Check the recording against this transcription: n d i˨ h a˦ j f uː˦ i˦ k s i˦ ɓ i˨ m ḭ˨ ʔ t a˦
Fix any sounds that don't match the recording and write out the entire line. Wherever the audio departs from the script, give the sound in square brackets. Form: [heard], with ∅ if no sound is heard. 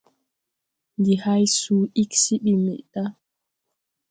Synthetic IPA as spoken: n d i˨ h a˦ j [s] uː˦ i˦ k s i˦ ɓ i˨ m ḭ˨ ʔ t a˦